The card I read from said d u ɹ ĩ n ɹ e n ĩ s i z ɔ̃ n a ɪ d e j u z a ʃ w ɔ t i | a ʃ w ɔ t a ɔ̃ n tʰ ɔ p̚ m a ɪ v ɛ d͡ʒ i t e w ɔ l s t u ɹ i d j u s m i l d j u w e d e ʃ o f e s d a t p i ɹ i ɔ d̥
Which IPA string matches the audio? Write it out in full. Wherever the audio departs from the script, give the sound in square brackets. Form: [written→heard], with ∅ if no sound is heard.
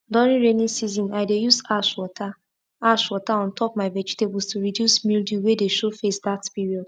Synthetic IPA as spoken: d [u→ɔ] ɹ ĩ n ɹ e n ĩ s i z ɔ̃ n a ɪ d e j u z a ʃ w ɔ t [i→a] | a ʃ w ɔ t a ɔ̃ n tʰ ɔ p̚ m a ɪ v ɛ d͡ʒ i t e [w→b] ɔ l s t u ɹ i d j u s m i l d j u w e d e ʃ o f e s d a t p i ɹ i ɔ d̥